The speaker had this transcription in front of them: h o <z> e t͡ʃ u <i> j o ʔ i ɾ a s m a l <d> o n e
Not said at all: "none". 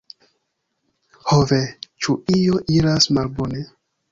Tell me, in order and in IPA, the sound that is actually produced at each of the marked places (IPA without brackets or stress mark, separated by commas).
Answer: v, i, b